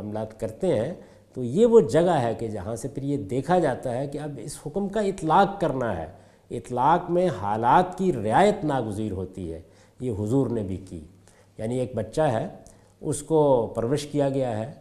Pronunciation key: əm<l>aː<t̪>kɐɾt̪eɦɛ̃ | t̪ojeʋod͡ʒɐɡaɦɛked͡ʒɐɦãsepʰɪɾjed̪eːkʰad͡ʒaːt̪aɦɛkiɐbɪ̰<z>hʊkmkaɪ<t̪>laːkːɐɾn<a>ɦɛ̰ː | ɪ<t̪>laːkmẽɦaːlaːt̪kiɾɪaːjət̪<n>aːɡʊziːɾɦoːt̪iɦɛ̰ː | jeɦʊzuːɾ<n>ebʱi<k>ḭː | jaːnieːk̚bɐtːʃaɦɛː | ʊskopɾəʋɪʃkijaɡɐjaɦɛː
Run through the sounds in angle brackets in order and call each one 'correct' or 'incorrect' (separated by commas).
correct, correct, incorrect, correct, correct, correct, correct, correct, correct